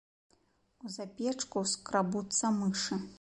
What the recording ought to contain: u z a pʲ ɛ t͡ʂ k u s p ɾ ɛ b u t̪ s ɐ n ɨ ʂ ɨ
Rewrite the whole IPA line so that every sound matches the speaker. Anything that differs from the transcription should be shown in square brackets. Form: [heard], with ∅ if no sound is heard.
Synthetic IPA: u z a pʲ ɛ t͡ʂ k u s [k] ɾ [a] b u t̪ s ɐ [m] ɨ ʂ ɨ